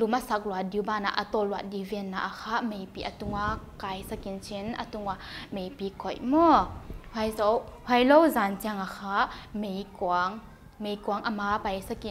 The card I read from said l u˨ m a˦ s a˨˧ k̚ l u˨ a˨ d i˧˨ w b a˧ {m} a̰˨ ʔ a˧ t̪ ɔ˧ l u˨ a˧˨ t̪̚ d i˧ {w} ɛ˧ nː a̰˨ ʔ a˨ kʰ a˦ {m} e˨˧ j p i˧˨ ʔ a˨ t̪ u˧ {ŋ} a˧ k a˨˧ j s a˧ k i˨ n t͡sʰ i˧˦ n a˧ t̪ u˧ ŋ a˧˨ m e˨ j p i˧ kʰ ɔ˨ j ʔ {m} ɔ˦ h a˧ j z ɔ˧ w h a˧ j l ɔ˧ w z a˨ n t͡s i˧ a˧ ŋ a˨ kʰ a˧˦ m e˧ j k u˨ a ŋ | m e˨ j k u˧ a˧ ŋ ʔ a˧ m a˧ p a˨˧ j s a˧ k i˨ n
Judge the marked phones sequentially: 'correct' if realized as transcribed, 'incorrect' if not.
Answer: incorrect: n, incorrect: v, correct, correct, correct

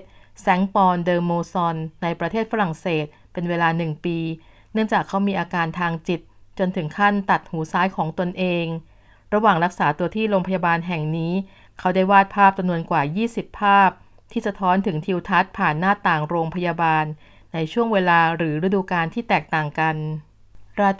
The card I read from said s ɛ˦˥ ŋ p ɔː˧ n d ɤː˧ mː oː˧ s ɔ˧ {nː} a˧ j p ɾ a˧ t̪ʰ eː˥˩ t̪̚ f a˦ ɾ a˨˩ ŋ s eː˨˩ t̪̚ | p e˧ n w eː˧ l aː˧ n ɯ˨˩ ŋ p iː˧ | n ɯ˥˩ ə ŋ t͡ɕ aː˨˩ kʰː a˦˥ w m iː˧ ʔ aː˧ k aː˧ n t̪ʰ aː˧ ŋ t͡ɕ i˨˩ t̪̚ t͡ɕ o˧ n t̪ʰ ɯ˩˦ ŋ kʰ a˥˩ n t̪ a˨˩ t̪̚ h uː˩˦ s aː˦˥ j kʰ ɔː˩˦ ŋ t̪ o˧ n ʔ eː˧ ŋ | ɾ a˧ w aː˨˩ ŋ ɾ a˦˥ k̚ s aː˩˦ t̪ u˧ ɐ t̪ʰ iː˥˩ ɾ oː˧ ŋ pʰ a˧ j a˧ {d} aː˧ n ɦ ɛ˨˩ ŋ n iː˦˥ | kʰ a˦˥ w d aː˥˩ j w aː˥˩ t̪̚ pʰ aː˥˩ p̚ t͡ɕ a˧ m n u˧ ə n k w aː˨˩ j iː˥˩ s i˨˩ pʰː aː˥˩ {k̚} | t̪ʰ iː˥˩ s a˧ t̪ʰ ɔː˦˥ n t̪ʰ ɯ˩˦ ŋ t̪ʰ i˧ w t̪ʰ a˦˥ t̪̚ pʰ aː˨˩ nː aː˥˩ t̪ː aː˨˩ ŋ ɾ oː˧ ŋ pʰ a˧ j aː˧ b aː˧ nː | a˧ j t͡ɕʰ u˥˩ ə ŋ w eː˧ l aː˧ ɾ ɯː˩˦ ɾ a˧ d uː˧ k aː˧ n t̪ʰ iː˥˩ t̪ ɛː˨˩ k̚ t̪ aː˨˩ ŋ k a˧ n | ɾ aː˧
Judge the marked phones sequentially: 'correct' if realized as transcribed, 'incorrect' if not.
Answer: correct, incorrect: b, incorrect: p̚

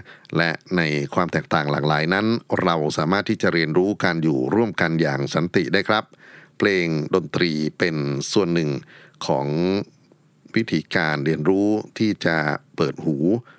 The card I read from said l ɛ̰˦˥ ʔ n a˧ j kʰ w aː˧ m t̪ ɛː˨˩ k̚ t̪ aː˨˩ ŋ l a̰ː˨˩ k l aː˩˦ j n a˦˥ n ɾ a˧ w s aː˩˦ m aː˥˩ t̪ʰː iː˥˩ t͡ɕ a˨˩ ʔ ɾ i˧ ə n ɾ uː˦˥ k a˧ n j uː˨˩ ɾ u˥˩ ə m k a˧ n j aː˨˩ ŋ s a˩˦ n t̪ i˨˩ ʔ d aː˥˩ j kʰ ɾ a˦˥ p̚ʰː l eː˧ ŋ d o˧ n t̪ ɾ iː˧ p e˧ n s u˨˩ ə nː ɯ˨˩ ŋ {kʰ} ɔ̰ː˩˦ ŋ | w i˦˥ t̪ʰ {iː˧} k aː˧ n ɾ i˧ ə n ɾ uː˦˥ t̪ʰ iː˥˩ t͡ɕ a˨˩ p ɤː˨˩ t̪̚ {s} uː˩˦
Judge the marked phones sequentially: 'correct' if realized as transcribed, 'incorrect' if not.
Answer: correct, incorrect: iː˩˦, incorrect: h

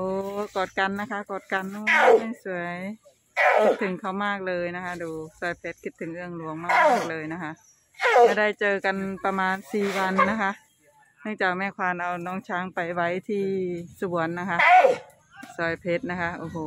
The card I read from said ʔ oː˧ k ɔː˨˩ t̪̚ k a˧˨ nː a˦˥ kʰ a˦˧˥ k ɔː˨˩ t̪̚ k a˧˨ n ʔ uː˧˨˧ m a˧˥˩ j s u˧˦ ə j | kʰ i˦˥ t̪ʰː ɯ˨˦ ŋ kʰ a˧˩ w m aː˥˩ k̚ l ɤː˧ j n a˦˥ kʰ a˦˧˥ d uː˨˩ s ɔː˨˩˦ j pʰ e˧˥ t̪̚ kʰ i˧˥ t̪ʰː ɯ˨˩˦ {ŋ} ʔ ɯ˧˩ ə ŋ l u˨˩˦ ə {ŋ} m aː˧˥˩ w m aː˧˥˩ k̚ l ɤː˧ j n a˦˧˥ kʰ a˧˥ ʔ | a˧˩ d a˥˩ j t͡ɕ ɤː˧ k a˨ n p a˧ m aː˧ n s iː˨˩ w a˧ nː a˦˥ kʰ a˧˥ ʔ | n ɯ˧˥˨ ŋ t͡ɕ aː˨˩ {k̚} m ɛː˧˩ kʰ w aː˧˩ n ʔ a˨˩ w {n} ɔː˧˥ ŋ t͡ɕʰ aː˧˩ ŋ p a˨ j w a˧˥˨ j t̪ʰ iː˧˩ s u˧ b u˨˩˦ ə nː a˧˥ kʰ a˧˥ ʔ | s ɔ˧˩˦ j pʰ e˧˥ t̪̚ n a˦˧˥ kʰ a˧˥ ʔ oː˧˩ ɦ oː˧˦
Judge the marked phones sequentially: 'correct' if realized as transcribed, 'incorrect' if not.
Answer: correct, correct, correct, correct

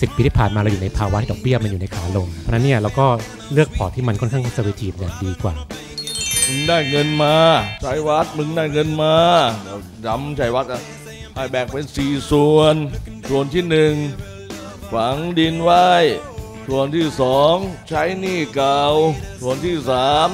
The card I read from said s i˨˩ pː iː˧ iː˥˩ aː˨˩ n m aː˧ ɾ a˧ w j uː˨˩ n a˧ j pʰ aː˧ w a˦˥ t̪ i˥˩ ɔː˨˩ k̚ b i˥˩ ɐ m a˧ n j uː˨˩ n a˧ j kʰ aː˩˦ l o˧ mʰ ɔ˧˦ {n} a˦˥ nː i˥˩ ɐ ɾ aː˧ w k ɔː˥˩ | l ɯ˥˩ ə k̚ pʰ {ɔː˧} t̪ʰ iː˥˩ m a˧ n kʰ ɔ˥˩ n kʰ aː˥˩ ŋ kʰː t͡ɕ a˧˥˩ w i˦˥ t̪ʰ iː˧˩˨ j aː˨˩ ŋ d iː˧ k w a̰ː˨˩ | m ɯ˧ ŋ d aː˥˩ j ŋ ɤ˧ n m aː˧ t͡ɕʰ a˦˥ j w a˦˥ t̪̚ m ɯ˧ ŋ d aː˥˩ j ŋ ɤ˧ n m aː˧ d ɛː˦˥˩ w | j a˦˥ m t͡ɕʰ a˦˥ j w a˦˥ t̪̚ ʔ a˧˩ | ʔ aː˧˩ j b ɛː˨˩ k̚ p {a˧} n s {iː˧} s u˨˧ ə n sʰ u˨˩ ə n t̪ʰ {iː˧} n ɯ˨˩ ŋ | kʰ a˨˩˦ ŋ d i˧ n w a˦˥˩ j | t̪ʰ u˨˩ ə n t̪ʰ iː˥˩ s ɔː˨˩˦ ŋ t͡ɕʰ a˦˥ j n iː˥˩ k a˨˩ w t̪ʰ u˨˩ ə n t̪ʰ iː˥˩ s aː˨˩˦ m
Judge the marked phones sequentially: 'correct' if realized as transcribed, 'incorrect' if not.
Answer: correct, incorrect: ɔː˨˩, incorrect: e˧, incorrect: iː˨˩, incorrect: iː˥˩

